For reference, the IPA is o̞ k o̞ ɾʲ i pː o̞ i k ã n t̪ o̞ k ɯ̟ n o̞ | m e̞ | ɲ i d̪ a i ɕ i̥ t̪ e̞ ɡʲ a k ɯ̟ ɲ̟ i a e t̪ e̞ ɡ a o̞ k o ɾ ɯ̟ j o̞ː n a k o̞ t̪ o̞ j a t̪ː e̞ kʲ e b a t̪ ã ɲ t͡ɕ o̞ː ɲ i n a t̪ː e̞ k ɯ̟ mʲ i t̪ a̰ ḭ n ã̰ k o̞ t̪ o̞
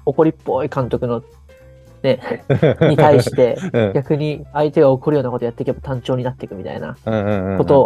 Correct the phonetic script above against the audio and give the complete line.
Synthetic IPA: o̞ k o̞ ɾʲ i pː o̞ i k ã n t̪ o̞ k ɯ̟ n o̞ | n e̞ | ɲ i t̪ a i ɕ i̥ t̪ e̞ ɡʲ a k ɯ̟ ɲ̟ i a i t̪ e̞ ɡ a o̞ k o ɾ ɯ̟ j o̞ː n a k o̞ t̪ o̞ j a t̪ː e̞ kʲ e b a t̪ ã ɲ t͡ɕ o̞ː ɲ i n a t̪ː e̞ k ɯ̟ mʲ i t̪ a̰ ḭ n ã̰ k o̞ t̪ o̞